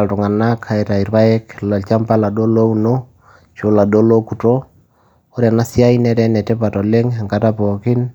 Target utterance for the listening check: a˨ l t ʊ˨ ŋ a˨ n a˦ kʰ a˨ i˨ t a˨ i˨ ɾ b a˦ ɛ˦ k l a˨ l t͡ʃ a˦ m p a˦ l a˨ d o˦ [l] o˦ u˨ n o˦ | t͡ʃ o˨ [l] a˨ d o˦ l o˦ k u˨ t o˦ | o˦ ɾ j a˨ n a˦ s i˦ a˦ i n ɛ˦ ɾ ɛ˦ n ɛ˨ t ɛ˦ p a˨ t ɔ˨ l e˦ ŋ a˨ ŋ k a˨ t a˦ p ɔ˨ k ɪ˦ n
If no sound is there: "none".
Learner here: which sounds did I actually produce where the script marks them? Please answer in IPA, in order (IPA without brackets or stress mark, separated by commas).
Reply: l, l